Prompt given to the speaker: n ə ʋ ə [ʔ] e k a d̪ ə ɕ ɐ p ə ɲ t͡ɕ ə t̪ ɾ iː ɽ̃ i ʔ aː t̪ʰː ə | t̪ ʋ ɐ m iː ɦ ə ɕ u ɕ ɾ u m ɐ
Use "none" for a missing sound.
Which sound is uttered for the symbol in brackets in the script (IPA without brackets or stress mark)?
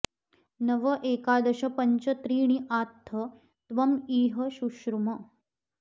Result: ʔ